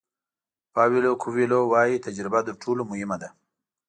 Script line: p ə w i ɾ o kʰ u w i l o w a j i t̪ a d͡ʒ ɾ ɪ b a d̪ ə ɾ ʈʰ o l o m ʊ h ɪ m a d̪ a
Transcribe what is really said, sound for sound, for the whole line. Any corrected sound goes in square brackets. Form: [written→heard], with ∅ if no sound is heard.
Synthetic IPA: p [ə→ɑ] w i [ɾ→l] o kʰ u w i l o w [a→ɑ] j i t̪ a d͡ʒ ɾ ɪ b a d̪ ə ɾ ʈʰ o l o m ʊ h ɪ m a d̪ a